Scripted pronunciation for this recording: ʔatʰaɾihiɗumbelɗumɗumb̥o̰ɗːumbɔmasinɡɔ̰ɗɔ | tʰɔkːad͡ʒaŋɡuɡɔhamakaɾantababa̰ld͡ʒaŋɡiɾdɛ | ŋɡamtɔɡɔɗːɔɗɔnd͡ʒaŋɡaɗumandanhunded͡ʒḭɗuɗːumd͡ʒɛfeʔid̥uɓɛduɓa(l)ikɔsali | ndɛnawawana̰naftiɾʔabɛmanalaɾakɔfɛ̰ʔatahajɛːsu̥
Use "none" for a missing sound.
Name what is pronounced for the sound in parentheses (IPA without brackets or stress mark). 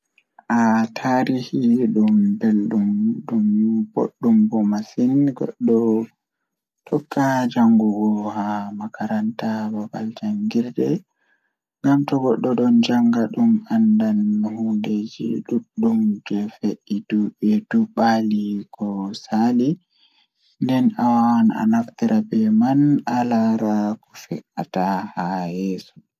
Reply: l